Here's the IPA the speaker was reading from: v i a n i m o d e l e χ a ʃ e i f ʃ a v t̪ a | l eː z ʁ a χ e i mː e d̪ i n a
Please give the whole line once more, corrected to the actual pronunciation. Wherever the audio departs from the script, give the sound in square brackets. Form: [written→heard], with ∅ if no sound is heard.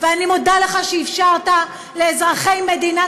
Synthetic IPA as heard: v [i→e] a n i m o d [e→a] l e χ a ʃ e i f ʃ a [v→ʁ] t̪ a | l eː z ʁ a χ e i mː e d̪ i n a